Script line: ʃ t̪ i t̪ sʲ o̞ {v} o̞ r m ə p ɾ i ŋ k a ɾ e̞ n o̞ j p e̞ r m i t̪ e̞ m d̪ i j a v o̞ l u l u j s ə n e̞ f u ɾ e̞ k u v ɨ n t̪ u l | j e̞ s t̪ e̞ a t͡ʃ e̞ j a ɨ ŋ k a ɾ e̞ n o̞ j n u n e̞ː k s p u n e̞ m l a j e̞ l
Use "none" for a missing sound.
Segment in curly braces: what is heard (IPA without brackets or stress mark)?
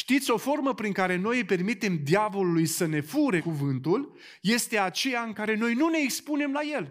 f